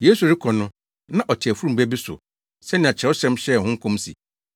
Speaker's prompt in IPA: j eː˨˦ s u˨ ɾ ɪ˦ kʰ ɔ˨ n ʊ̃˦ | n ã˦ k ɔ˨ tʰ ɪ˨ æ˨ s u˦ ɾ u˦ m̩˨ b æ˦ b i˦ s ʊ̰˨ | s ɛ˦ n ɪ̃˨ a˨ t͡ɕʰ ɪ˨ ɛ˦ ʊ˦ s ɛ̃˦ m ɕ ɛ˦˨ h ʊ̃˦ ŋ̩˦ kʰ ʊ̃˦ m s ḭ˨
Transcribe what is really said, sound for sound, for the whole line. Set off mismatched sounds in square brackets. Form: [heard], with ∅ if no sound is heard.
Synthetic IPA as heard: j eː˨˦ s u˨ ɾ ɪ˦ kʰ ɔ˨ n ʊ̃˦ | n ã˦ [ʔ] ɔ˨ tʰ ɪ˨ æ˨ [f] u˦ ɾ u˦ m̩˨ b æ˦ b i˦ s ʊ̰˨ | s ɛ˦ n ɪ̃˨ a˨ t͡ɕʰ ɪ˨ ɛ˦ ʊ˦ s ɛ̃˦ m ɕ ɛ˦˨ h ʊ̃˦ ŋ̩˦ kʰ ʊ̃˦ m s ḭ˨